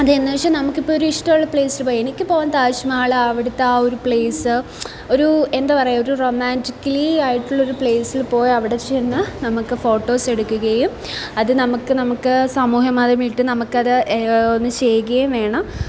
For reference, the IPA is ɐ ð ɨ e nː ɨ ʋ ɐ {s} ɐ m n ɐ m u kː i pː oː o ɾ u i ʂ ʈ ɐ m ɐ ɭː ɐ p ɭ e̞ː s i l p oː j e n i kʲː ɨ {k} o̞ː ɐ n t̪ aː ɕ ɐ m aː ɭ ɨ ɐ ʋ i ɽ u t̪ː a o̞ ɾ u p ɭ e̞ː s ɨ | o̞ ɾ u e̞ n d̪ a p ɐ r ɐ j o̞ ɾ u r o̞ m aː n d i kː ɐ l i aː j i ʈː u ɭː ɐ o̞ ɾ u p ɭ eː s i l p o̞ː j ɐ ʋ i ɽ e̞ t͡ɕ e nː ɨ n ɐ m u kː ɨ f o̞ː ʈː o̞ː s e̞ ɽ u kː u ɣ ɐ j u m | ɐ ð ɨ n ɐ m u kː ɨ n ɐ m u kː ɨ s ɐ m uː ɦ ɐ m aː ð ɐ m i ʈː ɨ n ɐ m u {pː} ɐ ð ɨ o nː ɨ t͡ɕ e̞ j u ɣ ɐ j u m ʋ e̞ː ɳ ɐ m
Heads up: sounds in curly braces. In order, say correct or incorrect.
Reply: incorrect, incorrect, incorrect

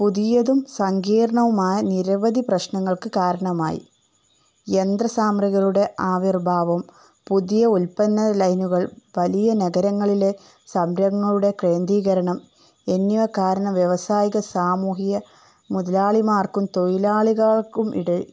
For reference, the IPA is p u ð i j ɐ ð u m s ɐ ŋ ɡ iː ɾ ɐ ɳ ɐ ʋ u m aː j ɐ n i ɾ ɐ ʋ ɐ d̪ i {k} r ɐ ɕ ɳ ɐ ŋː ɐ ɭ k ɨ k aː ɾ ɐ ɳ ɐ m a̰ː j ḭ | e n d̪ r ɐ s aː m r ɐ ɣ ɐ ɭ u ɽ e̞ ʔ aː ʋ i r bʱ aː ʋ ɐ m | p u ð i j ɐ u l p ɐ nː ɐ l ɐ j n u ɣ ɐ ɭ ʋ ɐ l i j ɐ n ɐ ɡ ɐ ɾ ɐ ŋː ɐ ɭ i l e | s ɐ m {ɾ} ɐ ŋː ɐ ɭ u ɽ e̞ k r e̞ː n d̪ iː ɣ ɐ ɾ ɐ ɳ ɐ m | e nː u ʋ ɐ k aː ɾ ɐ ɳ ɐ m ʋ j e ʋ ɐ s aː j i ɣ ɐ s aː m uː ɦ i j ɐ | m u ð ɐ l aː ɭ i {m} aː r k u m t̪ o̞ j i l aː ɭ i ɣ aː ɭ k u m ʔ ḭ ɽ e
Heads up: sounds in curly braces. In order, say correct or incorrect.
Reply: incorrect, correct, correct

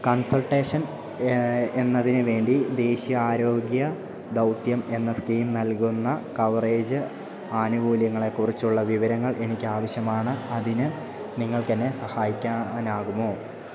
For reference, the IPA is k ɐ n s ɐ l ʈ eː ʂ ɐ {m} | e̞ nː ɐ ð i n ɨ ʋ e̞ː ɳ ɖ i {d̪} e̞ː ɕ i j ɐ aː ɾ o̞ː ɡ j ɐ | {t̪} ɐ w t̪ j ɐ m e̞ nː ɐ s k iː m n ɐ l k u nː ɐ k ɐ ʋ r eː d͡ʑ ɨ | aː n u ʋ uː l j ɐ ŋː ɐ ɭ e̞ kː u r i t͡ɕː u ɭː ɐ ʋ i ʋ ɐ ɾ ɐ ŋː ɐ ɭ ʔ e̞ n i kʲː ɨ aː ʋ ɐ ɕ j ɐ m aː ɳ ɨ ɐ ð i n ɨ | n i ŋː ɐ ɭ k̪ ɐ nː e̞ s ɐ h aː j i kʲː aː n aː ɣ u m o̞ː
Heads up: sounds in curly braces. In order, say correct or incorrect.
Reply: incorrect, correct, incorrect

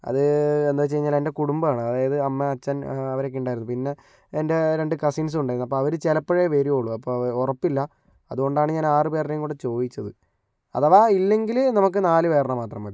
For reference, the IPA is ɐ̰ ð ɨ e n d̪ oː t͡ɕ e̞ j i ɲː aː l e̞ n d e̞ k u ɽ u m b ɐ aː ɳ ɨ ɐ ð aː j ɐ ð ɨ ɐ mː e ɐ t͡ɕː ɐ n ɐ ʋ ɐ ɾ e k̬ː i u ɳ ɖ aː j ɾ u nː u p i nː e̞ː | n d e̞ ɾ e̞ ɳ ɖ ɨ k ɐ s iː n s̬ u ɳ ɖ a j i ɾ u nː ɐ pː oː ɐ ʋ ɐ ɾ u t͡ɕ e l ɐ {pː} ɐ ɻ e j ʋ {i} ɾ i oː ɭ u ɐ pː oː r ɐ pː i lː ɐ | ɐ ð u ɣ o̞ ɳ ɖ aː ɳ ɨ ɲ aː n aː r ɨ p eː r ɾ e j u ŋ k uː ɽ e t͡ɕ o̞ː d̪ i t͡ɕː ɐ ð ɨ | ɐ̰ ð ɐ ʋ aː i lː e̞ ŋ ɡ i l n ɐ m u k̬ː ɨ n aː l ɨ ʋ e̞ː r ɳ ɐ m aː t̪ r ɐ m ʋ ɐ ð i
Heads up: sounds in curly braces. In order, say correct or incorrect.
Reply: correct, incorrect

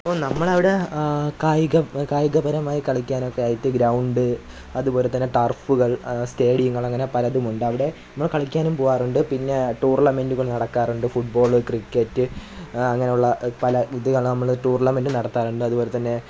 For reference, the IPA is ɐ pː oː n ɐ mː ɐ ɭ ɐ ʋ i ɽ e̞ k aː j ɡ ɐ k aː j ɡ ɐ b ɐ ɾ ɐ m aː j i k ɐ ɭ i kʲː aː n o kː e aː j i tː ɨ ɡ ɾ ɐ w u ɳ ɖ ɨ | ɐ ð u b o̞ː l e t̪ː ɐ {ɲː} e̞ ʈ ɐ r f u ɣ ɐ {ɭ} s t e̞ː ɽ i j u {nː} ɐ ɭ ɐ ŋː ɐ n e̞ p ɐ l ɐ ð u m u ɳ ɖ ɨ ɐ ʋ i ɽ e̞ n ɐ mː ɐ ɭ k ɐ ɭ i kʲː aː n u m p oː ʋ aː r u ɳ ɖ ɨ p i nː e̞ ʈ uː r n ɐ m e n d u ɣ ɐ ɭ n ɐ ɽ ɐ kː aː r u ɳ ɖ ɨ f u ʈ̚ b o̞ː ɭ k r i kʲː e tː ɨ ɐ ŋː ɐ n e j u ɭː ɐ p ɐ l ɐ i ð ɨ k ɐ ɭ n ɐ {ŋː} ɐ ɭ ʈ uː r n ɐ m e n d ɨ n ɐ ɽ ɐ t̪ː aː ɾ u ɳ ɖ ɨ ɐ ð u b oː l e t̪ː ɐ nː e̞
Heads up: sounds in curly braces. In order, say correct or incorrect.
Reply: incorrect, correct, incorrect, incorrect

